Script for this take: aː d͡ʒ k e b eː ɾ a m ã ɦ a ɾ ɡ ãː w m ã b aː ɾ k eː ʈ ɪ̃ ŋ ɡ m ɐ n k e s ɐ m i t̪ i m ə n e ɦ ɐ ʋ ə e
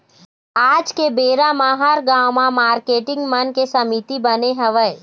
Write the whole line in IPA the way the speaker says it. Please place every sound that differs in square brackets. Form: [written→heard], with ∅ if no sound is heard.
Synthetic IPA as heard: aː d͡ʒ k e b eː ɾ a m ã ɦ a ɾ ɡ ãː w m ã [b→m] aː ɾ k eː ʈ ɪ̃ ŋ ɡ m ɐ n k e s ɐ m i t̪ i [m→b] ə n e ɦ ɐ ʋ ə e